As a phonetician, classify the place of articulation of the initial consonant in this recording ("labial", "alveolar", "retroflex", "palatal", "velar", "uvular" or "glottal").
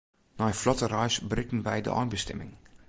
alveolar